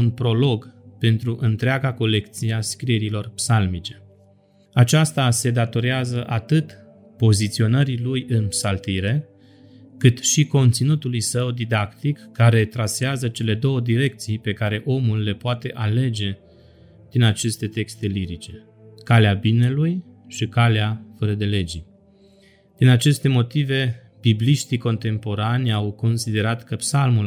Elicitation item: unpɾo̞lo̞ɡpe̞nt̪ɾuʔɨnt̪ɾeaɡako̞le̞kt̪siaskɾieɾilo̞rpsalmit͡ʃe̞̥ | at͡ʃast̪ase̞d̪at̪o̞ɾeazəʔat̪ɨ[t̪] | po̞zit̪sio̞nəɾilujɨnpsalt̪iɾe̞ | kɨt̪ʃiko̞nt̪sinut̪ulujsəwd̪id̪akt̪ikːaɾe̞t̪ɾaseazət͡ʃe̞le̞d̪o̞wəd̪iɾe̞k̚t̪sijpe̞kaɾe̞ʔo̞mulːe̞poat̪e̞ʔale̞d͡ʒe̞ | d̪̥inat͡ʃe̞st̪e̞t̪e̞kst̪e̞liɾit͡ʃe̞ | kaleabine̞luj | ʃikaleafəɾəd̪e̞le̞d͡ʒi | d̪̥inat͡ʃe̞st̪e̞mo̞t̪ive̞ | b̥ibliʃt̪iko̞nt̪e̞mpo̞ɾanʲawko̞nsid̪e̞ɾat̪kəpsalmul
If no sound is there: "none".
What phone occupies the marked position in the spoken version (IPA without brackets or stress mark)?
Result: t̪